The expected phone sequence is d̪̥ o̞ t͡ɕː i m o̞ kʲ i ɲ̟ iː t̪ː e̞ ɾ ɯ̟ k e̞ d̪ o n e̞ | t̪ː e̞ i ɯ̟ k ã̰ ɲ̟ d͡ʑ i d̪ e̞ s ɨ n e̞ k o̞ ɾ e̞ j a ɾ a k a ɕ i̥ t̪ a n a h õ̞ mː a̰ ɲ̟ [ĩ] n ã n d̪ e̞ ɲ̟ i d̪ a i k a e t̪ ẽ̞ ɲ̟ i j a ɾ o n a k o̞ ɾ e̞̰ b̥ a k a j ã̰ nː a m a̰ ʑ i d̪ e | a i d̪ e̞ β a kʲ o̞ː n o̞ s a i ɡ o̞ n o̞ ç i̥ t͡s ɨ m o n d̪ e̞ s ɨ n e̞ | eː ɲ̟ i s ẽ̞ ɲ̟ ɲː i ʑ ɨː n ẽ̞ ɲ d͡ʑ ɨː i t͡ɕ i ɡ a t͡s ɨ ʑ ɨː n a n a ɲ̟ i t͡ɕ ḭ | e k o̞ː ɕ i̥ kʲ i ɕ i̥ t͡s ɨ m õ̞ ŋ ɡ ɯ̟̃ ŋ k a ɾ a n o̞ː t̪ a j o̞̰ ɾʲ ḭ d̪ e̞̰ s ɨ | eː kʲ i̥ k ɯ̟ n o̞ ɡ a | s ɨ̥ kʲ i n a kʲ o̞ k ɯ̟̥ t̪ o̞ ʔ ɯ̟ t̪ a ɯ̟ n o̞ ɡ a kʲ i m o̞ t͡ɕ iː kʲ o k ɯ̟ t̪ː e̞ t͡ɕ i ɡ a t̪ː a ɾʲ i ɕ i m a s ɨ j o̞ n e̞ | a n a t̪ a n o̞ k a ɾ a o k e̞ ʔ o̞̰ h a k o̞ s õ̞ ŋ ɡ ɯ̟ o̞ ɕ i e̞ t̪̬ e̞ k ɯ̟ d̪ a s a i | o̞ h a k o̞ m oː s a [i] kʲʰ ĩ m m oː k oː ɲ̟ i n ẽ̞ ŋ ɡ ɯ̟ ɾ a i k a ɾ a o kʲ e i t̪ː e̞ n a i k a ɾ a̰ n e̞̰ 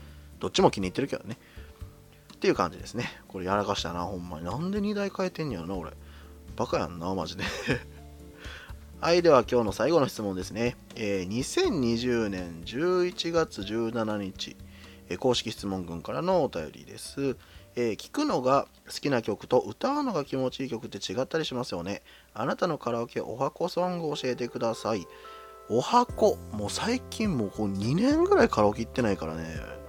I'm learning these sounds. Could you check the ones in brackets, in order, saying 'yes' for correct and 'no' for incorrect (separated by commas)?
no, yes